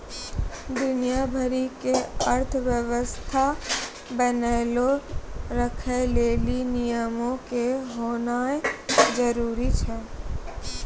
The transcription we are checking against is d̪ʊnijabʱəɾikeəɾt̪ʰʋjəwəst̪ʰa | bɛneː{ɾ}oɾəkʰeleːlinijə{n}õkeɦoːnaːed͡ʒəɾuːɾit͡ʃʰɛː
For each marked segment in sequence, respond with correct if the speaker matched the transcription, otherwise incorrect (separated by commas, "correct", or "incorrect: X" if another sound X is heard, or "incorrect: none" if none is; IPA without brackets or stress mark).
incorrect: l, incorrect: m